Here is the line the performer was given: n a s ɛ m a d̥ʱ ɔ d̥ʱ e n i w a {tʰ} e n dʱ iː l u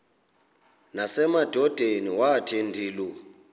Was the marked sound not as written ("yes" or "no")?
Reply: no